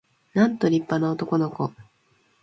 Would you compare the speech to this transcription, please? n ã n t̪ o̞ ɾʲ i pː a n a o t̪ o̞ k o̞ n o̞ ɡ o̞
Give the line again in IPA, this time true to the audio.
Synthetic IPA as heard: n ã n t̪ o̞ ɾʲ i pː a n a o t̪ o̞ k o̞ n o̞ k o̞